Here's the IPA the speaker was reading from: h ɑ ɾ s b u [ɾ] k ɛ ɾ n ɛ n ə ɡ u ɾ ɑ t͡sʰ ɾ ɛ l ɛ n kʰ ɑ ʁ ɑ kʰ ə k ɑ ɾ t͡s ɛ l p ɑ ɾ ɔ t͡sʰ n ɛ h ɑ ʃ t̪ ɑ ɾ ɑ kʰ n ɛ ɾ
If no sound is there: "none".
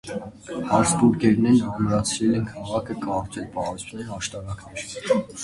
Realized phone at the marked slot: ɾ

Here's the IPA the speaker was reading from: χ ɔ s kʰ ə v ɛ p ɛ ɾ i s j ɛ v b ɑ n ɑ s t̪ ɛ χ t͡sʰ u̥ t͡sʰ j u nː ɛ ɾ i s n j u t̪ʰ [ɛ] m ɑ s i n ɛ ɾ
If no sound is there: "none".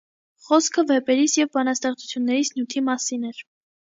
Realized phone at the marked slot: i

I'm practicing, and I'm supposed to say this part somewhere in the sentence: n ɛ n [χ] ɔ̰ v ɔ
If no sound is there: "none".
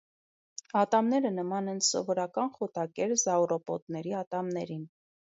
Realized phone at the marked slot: s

